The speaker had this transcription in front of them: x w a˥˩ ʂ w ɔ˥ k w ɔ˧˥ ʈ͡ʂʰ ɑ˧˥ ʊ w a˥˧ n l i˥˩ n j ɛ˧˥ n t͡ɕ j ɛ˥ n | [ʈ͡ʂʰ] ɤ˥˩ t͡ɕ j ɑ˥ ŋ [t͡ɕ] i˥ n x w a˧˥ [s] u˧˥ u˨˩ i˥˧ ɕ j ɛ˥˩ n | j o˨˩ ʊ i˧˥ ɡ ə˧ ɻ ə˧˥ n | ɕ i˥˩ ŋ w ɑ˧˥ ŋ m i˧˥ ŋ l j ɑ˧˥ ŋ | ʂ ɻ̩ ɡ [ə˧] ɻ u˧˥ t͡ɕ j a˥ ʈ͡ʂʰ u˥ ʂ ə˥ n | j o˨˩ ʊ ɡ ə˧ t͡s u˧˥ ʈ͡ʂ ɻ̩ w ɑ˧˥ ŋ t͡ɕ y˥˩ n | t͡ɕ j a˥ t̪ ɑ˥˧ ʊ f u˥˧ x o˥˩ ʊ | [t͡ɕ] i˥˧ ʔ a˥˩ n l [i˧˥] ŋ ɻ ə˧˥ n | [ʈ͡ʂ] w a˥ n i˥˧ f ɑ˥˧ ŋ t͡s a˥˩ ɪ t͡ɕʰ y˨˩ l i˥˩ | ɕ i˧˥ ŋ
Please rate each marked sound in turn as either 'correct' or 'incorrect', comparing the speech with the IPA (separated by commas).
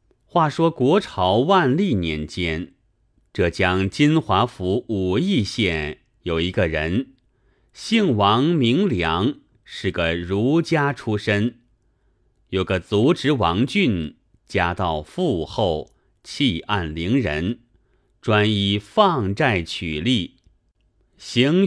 incorrect, correct, incorrect, incorrect, incorrect, correct, correct